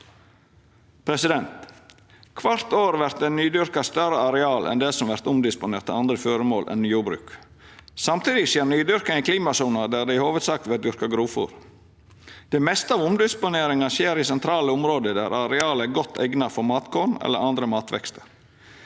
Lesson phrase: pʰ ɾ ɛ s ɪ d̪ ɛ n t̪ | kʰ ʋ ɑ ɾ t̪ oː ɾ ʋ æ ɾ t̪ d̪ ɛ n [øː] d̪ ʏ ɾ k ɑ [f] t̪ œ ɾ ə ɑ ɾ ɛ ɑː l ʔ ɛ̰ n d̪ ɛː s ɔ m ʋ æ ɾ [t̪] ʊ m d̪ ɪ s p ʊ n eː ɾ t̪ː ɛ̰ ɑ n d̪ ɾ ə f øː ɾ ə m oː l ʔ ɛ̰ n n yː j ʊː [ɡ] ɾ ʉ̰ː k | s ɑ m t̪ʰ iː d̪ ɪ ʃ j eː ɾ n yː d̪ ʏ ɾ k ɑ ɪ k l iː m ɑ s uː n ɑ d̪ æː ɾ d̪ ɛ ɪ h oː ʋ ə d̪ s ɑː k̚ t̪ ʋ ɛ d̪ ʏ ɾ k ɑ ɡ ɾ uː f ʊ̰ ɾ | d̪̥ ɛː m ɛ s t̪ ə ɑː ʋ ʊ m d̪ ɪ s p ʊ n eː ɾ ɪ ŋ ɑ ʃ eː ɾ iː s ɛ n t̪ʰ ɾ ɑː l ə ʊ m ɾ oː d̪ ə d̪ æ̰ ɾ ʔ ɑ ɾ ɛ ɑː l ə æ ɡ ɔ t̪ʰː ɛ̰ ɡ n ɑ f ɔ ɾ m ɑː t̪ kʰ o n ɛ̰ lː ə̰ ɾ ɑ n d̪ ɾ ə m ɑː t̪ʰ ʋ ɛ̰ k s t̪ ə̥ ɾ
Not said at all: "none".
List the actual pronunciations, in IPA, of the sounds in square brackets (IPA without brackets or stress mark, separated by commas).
yː, s, t̪, b